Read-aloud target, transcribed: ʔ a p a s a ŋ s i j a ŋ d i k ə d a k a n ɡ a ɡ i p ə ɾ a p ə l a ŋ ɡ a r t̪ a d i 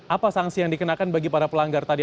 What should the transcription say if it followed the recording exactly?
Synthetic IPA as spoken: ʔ a p a s a ŋ s i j a ŋ d i k ə n a k a n b a ɡ i p a ɾ a p ə l a ŋ ɡ a r t̪ a d i